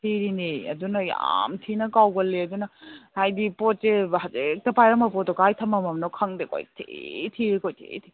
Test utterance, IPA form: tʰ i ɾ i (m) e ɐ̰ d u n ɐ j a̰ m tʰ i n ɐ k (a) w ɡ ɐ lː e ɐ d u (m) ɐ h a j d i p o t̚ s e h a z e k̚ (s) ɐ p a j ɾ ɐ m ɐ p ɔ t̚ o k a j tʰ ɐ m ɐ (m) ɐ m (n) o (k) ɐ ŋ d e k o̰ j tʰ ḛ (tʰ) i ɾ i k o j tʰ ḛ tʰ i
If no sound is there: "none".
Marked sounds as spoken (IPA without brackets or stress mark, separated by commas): n, a, n, t, m, n, kʰ, tʰ